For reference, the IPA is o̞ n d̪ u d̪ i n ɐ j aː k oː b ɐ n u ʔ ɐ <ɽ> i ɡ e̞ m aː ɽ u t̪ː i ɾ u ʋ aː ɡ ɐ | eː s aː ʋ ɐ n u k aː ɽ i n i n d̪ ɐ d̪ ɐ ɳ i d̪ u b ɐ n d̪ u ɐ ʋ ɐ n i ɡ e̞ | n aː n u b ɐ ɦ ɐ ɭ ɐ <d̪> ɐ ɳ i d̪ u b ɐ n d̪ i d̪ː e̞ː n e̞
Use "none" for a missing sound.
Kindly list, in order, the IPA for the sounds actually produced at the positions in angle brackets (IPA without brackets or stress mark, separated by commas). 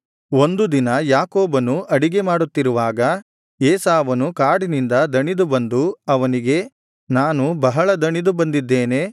ɽ, d̪